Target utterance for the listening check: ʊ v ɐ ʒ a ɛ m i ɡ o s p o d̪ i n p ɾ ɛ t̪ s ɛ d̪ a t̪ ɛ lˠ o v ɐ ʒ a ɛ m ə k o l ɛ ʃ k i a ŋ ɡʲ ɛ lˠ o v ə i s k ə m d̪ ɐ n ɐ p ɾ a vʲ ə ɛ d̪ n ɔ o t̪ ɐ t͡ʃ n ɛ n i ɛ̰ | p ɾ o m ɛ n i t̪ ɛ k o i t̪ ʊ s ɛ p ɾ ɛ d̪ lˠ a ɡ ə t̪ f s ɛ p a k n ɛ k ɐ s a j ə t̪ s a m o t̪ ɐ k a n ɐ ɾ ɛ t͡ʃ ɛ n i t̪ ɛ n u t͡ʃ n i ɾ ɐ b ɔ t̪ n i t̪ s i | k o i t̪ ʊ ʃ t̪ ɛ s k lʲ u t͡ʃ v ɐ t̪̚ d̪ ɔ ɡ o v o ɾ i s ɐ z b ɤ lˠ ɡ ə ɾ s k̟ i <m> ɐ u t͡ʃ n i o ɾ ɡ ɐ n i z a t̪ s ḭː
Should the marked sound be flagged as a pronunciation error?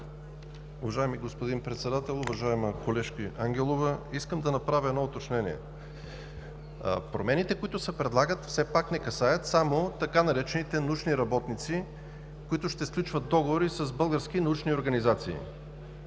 yes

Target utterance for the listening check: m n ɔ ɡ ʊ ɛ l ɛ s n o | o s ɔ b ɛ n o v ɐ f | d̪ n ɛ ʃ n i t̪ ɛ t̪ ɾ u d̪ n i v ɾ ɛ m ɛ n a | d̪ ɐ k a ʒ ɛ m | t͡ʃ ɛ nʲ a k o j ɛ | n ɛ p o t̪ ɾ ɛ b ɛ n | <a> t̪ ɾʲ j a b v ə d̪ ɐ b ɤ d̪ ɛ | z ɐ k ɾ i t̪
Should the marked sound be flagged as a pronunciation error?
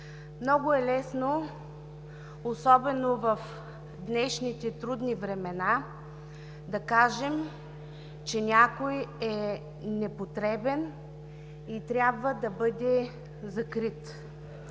yes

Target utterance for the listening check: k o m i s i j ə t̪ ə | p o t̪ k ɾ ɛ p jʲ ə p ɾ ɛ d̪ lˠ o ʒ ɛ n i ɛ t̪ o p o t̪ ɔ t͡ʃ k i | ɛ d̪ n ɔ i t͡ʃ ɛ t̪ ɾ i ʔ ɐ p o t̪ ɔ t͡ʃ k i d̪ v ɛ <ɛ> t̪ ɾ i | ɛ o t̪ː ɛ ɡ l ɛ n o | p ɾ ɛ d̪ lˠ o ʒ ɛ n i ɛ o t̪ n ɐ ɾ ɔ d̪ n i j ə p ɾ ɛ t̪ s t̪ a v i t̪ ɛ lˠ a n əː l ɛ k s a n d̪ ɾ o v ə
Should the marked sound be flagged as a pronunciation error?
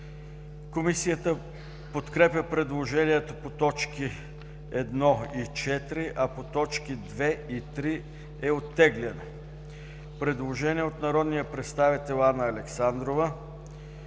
yes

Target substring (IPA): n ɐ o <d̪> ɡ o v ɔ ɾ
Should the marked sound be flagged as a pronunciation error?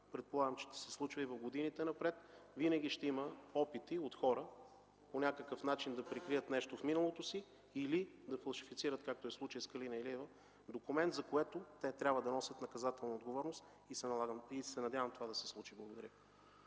no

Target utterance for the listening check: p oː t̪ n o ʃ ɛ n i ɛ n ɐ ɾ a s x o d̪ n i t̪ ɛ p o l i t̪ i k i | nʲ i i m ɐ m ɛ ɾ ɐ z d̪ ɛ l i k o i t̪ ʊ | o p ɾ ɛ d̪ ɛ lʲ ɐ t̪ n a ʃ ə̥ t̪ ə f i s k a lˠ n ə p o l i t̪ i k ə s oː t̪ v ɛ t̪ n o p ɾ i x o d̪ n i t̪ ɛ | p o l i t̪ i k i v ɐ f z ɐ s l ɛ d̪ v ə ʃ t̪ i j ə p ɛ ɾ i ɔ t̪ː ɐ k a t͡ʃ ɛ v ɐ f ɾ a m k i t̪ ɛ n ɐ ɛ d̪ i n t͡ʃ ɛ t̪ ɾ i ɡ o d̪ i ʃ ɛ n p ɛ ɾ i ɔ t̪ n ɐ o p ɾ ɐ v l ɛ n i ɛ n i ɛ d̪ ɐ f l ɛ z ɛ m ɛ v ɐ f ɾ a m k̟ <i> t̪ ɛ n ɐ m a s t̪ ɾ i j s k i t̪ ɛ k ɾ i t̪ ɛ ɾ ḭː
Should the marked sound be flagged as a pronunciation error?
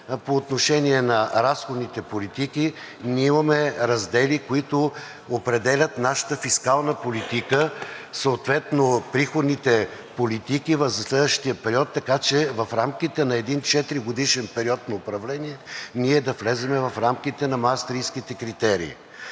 no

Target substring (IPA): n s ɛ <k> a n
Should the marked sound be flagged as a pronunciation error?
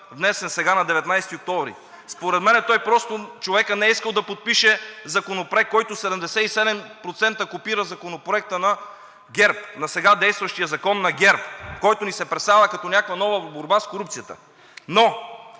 yes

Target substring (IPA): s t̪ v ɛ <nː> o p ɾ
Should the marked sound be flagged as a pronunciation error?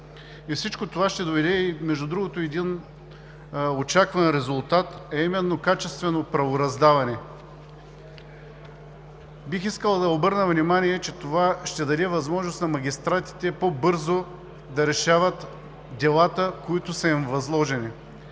yes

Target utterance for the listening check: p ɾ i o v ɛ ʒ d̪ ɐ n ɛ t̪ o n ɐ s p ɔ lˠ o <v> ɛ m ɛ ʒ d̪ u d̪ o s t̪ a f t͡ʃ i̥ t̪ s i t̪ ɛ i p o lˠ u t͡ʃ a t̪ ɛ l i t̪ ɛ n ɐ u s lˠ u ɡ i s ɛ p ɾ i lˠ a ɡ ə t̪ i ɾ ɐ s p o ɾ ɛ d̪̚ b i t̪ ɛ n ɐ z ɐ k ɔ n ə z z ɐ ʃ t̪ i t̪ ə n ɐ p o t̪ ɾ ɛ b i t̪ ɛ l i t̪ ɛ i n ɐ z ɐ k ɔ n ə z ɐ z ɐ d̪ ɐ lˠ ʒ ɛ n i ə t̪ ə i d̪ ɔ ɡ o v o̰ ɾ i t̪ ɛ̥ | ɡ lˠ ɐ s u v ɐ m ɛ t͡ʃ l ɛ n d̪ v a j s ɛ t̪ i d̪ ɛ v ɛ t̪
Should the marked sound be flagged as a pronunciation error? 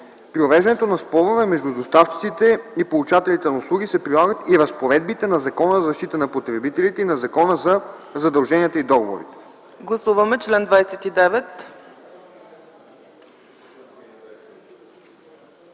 no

